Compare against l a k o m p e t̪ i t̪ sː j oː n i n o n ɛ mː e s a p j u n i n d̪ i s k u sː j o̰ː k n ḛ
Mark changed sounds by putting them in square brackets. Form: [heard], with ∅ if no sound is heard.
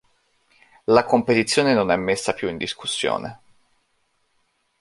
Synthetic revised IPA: l a k o m p e t̪ i t̪ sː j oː n [e] n o n ɛ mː e [sː] a p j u [∅] i n d̪ i s k u sː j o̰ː [∅] n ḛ